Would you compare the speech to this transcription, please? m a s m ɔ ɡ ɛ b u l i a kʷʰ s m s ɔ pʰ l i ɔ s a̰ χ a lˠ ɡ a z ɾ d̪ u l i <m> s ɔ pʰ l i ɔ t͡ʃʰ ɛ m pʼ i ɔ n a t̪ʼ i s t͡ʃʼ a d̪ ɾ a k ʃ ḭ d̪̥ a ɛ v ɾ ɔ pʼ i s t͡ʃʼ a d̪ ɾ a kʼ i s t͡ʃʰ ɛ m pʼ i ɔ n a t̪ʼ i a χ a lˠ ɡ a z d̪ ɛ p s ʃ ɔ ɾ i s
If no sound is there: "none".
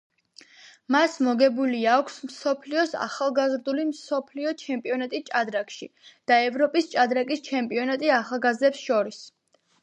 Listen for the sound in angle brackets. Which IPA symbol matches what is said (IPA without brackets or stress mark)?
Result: m